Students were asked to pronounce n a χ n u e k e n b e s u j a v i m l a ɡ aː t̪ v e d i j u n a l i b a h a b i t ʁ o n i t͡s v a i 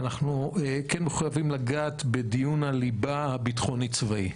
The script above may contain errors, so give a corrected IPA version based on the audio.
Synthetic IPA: n a χ n u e k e n m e χ u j a v i m l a ɡ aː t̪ b e d i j u n a l i b a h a b i t χ o n i t͡s v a i